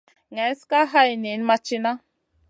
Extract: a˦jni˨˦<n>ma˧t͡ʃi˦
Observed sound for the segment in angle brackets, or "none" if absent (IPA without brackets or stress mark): n